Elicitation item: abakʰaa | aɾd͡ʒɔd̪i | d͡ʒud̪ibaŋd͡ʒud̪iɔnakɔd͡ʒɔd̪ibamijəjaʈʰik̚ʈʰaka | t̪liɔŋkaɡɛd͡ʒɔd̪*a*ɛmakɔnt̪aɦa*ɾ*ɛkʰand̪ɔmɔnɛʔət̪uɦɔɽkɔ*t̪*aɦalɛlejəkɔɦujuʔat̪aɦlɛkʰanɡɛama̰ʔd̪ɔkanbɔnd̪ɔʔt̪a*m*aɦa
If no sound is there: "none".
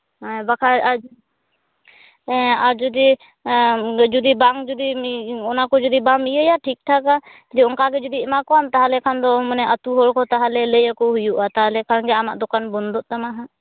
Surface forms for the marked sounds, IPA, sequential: i, l, t̪, m

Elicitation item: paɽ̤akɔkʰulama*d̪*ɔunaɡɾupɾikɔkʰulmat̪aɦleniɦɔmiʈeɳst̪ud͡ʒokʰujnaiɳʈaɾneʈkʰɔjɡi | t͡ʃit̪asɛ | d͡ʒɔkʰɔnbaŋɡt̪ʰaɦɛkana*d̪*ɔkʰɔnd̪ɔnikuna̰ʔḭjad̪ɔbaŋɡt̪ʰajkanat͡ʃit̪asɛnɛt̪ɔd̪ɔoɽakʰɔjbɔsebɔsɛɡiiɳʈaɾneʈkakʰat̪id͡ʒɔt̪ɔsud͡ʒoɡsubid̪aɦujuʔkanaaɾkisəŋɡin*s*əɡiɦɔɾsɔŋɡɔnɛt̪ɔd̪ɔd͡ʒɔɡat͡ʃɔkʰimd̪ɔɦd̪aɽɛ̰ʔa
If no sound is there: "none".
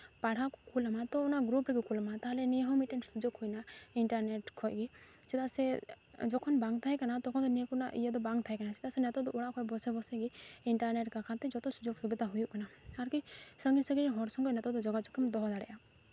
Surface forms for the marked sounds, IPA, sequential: t̪, t̪, s

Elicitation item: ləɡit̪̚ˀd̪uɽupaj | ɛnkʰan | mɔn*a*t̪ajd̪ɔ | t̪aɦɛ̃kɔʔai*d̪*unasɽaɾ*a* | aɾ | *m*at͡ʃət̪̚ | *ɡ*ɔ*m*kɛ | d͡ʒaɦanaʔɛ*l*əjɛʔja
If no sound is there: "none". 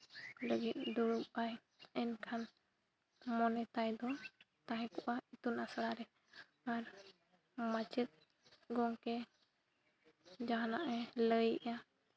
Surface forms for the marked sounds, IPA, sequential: ɛ, t̪, ɛ, m, ɡ, ŋ, l

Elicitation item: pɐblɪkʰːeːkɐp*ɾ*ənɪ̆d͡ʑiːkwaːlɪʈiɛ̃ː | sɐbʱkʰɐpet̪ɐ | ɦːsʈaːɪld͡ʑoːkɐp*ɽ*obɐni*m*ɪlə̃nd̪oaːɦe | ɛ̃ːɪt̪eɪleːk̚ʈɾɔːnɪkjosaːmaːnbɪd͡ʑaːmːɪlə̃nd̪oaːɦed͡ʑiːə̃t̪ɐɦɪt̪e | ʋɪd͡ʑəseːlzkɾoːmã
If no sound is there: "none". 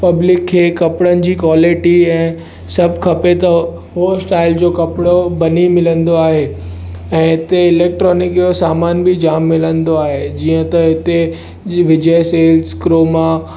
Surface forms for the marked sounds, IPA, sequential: ɽ, ɽ, m

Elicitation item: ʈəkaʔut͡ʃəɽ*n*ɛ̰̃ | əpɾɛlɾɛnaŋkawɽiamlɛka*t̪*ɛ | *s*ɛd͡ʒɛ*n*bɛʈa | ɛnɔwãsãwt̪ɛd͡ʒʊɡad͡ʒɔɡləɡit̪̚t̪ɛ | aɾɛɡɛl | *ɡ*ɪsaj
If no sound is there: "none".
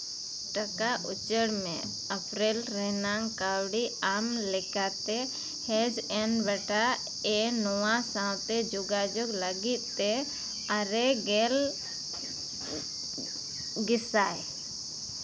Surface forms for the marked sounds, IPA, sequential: m, t̪, h, n, ɡ

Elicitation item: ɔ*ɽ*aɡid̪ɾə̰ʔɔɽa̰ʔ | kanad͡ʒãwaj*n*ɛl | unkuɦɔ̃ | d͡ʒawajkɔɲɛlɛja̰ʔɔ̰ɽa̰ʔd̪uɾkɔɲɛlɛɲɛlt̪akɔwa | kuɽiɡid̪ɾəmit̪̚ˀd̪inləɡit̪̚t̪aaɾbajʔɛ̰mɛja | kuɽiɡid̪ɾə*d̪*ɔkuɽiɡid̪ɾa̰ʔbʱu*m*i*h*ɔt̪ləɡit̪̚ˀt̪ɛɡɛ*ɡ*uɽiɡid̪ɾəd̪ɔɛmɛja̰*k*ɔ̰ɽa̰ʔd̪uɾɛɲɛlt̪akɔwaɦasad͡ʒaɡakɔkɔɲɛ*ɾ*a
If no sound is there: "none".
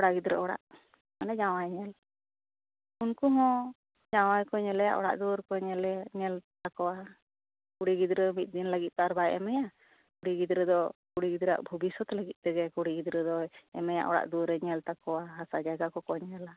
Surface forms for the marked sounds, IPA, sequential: ɽ, ɲ, d̪, b, s, k, ʔ, l

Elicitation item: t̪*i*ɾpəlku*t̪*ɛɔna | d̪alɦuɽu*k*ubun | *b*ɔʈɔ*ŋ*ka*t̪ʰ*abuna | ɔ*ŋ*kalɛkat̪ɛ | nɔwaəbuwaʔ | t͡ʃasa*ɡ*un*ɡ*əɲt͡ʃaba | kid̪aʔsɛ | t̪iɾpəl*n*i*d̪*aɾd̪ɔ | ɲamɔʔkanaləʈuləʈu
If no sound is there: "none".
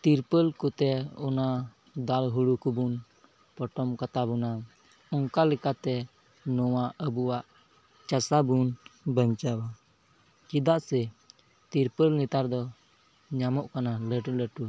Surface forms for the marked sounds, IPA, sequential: i, t̪, k, p, m, t̪, ŋ, b, b, n, t̪

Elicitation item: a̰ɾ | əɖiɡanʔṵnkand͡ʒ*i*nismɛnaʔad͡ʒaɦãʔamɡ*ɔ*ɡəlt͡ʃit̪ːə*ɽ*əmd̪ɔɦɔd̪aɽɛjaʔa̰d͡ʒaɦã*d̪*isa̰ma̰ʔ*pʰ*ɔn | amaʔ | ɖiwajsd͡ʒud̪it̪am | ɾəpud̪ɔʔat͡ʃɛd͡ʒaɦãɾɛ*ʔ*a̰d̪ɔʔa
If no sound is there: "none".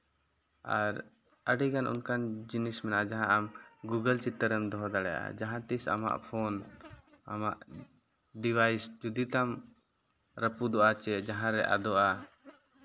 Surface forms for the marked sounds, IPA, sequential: i, u, ɾ, t̪, pʰ, ʔ

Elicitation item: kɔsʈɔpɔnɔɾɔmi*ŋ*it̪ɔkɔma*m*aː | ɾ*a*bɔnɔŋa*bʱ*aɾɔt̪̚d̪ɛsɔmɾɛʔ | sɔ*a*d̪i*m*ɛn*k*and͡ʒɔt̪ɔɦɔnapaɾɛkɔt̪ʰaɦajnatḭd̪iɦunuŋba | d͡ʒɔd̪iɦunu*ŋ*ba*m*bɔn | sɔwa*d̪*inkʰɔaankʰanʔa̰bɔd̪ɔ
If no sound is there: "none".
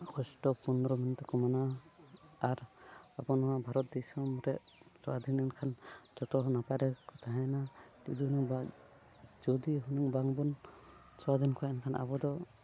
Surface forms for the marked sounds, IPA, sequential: n, n, a, bʱ, a, n, kʰ, ŋ, ŋ, d̪

